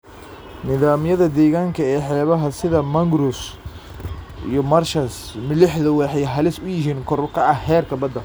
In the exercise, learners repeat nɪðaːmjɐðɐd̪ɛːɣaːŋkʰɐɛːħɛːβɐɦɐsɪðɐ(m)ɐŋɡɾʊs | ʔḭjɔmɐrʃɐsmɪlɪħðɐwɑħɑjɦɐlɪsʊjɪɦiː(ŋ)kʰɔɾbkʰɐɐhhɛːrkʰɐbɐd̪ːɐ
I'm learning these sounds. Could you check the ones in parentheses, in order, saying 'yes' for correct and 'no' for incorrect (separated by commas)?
yes, no